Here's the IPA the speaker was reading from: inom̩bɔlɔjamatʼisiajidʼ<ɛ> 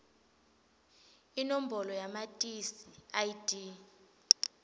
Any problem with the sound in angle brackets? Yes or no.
yes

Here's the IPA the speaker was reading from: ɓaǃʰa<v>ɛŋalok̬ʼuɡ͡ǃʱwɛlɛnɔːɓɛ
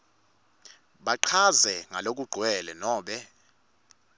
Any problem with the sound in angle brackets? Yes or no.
yes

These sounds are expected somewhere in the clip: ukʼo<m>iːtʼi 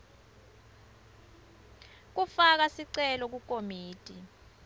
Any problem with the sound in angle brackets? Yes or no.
no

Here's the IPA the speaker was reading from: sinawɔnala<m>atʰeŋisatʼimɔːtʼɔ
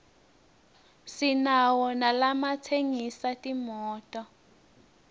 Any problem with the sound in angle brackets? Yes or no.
no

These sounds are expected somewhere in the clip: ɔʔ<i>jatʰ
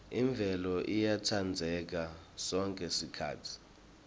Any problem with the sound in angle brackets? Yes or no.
no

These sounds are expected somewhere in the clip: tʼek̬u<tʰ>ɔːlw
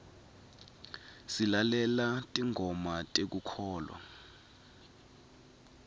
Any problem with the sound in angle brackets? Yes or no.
yes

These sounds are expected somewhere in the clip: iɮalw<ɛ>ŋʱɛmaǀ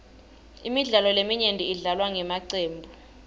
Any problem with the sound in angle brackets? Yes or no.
yes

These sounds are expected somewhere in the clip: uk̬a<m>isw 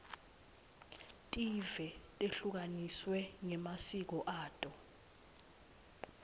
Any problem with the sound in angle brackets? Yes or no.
yes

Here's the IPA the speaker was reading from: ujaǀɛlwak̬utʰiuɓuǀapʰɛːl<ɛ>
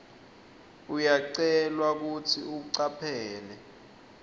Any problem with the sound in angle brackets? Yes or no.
no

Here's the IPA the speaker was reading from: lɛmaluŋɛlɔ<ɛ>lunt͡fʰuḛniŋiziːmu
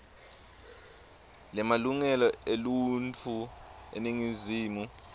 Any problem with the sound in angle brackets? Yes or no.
yes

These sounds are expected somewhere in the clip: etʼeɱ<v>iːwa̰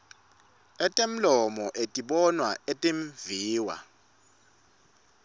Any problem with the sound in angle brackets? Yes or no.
no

